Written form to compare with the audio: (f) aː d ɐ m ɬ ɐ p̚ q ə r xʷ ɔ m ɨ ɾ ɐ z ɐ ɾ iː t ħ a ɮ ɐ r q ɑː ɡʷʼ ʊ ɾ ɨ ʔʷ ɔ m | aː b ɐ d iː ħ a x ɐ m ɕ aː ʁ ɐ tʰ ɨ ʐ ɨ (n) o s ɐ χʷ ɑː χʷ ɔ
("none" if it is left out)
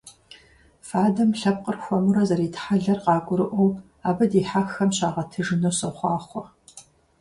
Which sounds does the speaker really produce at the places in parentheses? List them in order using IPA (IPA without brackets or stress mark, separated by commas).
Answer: f, n